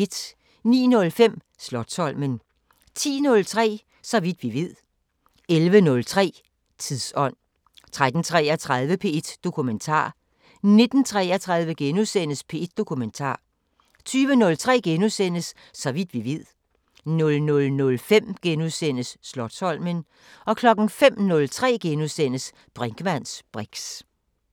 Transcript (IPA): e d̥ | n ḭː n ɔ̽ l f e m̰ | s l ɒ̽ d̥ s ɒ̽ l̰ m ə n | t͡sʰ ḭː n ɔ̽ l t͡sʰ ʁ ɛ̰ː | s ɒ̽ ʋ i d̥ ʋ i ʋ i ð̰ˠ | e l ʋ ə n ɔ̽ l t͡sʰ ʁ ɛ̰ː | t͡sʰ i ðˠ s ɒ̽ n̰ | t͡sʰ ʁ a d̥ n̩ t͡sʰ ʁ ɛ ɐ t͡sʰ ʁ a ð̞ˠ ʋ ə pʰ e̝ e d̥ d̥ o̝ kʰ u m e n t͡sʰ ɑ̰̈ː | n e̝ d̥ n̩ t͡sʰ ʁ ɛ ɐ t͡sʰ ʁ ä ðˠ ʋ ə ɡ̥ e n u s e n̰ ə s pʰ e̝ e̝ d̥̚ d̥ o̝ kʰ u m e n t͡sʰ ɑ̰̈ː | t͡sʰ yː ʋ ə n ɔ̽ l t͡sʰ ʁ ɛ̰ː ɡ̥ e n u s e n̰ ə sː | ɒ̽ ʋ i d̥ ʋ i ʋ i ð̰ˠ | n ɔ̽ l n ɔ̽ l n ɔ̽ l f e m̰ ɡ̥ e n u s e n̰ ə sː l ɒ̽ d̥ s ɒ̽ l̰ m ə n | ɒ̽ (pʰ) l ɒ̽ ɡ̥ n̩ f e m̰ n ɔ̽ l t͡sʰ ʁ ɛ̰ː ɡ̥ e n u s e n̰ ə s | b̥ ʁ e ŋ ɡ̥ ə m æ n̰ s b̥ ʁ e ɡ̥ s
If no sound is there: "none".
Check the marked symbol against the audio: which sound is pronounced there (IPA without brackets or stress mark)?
kʰ